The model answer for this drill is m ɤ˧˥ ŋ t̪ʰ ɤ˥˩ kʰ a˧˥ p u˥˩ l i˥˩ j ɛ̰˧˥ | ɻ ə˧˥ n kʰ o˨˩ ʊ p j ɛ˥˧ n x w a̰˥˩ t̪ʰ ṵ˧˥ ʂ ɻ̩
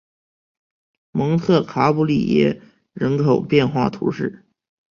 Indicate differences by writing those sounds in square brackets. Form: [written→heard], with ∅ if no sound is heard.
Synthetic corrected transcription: m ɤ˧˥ ŋ t̪ʰ ɤ˥˩ kʰ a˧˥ p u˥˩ l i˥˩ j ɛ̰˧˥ | ɻ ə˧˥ n kʰ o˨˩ ʊ p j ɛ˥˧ n x w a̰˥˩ t̪ʰ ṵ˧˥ ʂ ɻ̩